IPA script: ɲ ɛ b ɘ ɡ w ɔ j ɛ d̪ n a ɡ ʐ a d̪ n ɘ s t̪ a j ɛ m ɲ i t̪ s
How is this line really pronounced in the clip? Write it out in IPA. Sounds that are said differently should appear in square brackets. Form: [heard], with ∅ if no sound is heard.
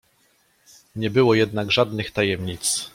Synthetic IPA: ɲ ɛ b ɘ [∅] w ɔ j ɛ d̪ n a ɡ ʐ a d̪ n ɘ [x] t̪ a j ɛ m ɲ i t̪ s

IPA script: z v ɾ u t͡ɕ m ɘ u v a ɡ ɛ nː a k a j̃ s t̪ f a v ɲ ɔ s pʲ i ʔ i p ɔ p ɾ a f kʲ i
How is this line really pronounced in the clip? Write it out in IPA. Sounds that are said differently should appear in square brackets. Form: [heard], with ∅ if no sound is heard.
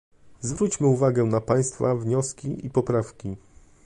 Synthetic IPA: z v ɾ u t͡ɕ m ɘ u v a ɡ ɛ [n] a [p] a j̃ s t̪ f a v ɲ ɔ s [kʲ] i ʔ i p ɔ p ɾ a f kʲ i

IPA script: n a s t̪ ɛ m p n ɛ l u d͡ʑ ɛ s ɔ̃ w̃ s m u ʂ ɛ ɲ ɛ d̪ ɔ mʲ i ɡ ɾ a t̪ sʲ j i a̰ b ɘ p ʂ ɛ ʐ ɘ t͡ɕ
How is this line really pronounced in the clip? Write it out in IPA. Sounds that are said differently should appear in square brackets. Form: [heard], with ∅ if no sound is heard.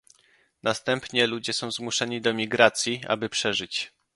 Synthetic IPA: n a s t̪ ɛ m p [ɲ] ɛ l u d͡ʑ ɛ s ɔ̃ w̃ [z] m u ʂ ɛ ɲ [i] d̪ ɔ mʲ i ɡ ɾ a t̪ sʲ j i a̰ b ɘ p ʂ ɛ ʐ ɘ t͡ɕ

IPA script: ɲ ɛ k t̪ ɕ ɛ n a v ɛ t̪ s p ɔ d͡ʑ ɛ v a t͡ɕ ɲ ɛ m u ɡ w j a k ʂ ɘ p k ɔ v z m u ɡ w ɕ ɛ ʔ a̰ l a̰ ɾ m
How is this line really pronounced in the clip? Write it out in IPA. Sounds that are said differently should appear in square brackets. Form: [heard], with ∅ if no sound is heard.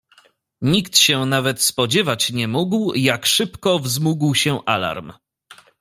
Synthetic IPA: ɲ [i] k t̪ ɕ ɛ n a v ɛ t̪ s p ɔ d͡ʑ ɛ v a t͡ɕ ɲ ɛ m u ɡ w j a k ʂ ɘ p k ɔ v z m u ɡ w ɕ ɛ ʔ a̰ l a̰ ɾ m

